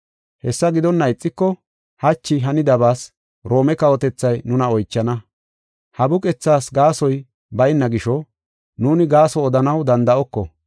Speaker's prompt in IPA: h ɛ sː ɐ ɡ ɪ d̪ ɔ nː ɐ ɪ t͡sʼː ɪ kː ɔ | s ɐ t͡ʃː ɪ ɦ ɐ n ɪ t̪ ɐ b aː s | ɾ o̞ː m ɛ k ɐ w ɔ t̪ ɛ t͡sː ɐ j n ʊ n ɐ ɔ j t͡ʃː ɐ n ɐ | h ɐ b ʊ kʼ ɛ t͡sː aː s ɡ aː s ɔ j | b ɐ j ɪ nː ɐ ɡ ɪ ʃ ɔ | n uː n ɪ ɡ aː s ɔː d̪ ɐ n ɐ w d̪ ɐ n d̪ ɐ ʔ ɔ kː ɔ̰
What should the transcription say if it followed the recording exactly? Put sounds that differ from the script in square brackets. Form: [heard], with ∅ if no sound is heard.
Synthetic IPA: h ɛ sː ɐ ɡ ɪ d̪ ɔ nː ɐ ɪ t͡sʼː ɪ kː ɔ | [h] ɐ t͡ʃː ɪ ɦ ɐ n ɪ [d̪] ɐ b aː s | ɾ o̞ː m ɛ k ɐ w ɔ t̪ ɛ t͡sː ɐ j n ʊ n ɐ ɔ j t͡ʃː ɐ n ɐ | h ɐ b ʊ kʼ ɛ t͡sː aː s ɡ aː s ɔ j | b ɐ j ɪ nː ɐ ɡ ɪ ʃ ɔ | n uː n ɪ ɡ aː s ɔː d̪ ɐ n ɐ w d̪ ɐ n d̪ ɐ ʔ ɔ kː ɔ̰

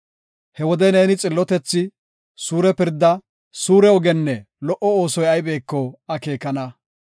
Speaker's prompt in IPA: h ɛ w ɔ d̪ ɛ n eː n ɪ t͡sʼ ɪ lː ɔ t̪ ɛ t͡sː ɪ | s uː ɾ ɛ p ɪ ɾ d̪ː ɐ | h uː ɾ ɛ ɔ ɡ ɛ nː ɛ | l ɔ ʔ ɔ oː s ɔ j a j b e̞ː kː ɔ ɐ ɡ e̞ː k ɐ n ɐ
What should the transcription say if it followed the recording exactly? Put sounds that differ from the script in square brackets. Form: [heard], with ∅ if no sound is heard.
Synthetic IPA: h ɛ w ɔ d̪ ɛ n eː n ɪ t͡sʼ ɪ lː ɔ t̪ ɛ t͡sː ɪ | s uː ɾ ɛ p ɪ ɾ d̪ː ɐ | [s] uː ɾ ɛ ɔ ɡ ɛ nː ɛ | l ɔ ʔ ɔ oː s ɔ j [ɐ] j b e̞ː kː ɔ ɐ [k] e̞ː k ɐ n ɐ

